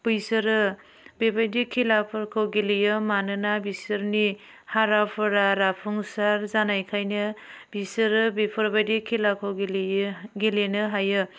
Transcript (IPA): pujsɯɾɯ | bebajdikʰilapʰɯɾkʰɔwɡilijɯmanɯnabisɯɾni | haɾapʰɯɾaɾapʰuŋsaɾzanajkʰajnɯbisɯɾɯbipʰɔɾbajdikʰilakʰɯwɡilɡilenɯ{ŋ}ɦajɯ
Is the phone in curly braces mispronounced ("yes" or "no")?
yes